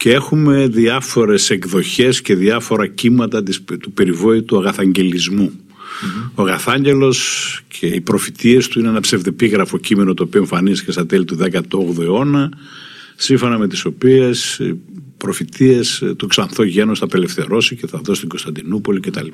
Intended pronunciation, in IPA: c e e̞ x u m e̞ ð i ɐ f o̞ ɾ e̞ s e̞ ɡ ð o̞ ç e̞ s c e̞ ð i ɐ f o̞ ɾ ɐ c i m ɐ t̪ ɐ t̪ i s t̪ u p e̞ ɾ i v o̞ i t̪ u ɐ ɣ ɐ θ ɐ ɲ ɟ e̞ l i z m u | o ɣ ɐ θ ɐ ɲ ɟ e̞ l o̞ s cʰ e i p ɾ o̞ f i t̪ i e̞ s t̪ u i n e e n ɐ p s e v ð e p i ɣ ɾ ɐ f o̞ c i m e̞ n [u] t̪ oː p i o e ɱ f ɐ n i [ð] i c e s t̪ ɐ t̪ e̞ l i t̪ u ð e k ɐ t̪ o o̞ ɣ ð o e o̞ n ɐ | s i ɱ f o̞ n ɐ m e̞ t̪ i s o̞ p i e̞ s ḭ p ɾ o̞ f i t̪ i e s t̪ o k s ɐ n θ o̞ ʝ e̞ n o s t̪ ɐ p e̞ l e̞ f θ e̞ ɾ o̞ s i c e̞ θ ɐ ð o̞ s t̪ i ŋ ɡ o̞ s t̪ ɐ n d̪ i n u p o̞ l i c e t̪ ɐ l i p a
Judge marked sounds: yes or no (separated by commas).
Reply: no, no